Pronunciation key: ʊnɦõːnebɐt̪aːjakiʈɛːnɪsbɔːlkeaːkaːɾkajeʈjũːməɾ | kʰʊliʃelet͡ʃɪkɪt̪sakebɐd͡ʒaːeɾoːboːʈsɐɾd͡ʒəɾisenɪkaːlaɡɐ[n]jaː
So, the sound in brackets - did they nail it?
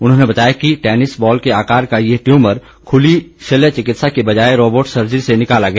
no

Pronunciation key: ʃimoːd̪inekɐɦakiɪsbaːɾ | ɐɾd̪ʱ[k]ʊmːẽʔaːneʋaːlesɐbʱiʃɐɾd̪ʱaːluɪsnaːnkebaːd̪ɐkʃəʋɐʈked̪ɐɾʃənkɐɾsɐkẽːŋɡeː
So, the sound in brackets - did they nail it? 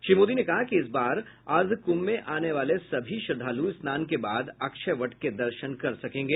yes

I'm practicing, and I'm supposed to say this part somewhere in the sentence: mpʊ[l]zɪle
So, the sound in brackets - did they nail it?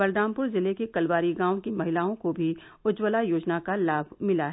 no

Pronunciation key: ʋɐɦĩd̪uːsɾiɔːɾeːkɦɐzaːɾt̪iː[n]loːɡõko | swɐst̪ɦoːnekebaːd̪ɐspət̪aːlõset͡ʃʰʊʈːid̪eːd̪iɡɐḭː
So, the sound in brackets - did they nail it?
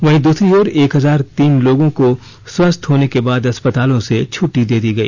yes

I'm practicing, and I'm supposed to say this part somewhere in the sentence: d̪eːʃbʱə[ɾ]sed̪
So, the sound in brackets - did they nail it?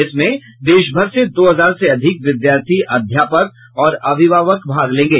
yes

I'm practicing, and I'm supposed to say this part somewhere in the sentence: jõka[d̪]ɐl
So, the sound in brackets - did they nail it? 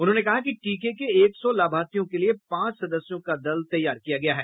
yes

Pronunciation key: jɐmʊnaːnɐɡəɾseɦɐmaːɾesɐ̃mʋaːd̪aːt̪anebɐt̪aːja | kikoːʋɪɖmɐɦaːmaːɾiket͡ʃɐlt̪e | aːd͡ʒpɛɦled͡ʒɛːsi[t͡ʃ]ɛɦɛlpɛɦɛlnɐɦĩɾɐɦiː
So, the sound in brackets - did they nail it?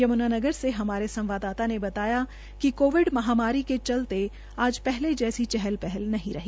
yes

